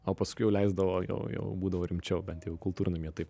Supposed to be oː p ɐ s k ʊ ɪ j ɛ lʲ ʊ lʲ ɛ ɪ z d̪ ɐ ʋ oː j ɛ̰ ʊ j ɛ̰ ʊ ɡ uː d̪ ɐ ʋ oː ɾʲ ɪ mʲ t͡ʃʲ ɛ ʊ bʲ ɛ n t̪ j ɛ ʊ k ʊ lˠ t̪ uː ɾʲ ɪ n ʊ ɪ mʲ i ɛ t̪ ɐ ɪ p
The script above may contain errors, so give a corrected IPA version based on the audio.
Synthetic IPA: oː p ɐ s k ʊ ɪ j ɛ ʊ lʲ ɛ ɪ z d̪ ɐ ʋ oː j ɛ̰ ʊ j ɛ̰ ʊ b uː d̪ ɐ ʋ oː ɾʲ ɪ mʲ t͡ʃʲ ɛ ʊ bʲ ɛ n t̪ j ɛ ʊ k ʊ lˠ t̪ uː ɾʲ ɪ n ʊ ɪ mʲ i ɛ t̪ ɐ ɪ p